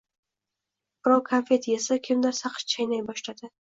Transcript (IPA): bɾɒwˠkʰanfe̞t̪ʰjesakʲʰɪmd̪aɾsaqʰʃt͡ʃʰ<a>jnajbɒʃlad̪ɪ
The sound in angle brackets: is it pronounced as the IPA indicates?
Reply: yes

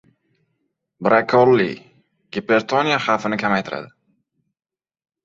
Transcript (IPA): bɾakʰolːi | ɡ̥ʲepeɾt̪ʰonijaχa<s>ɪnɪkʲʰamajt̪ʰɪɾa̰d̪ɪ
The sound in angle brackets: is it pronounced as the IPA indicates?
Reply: no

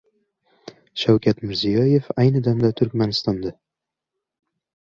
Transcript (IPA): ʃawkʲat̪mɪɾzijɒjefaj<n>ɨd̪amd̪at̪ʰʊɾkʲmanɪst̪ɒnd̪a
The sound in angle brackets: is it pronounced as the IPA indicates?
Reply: yes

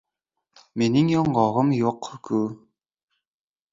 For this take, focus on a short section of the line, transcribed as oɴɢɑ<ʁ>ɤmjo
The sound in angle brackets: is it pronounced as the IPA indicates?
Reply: yes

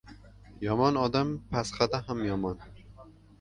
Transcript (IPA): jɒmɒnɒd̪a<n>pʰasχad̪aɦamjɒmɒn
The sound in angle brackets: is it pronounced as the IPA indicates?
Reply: no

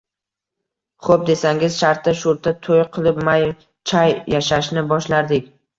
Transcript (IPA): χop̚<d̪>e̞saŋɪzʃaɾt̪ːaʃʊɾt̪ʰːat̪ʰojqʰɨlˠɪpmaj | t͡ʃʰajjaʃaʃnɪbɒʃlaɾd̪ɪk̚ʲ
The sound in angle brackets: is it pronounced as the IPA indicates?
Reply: yes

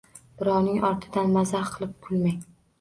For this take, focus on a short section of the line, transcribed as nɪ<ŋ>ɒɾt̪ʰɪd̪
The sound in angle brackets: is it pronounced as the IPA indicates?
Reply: yes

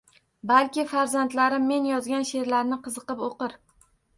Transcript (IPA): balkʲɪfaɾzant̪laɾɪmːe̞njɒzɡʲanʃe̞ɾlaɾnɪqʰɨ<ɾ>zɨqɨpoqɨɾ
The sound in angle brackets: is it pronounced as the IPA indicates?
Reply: no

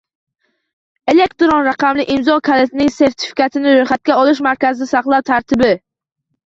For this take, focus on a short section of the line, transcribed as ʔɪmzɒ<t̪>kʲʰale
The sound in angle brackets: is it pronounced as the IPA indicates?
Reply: no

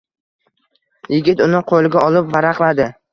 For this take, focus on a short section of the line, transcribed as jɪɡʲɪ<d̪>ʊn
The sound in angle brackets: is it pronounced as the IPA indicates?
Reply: no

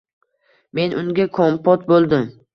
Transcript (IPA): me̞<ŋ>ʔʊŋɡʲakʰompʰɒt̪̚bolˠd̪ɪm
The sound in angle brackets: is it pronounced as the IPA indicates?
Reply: no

